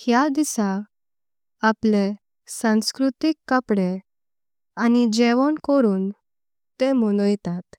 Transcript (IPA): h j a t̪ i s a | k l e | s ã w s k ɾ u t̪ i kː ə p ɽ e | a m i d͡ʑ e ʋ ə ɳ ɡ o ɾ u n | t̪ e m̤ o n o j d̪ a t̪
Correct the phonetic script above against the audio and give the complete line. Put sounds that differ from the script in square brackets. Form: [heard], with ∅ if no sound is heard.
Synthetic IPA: h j a [d̪] i s a | [p] l e | s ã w s k ɾ u t̪ i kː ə p ɽ e | a [n] i d͡ʑ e ʋ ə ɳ [k] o ɾ [uː] n | t̪ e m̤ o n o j [t̪] a t̪